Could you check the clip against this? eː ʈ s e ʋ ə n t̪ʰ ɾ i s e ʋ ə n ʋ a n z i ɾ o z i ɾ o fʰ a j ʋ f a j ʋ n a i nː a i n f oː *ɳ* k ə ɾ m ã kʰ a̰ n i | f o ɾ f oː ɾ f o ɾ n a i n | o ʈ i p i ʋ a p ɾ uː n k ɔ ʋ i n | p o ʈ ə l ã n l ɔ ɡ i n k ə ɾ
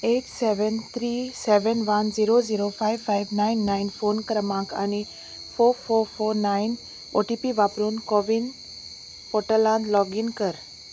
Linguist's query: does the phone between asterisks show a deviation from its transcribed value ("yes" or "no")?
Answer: yes